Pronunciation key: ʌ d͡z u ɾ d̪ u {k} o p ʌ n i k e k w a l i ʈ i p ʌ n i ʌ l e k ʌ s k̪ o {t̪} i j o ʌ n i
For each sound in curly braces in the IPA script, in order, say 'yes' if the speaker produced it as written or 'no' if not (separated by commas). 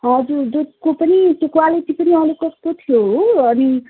yes, no